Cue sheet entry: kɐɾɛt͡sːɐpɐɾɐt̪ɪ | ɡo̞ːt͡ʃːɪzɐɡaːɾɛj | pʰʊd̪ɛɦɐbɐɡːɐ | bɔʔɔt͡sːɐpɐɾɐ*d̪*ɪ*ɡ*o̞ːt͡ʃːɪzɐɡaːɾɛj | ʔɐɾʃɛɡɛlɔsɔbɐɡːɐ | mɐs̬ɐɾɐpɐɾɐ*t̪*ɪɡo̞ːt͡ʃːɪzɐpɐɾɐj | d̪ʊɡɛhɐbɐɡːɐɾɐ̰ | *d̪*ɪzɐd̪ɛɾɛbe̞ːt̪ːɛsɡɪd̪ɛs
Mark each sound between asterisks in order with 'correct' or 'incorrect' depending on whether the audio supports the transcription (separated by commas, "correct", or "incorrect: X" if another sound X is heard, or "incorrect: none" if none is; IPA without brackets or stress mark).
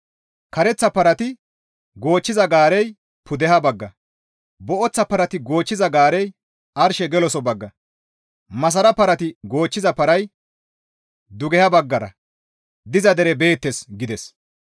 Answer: incorrect: t̪, correct, correct, correct